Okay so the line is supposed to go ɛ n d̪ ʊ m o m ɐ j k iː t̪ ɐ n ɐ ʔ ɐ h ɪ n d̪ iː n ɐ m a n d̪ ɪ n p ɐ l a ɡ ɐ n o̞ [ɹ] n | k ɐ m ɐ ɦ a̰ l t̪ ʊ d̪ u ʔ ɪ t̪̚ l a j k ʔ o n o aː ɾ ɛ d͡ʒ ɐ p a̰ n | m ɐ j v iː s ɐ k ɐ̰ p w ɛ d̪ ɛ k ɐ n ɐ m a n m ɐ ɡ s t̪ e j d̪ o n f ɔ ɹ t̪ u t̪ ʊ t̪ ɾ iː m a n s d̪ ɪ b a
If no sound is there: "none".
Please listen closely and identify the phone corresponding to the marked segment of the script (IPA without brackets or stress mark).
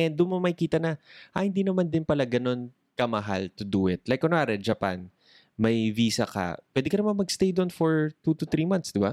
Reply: none